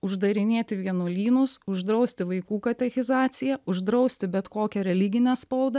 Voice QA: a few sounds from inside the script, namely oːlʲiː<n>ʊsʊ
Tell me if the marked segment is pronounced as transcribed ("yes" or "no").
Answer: yes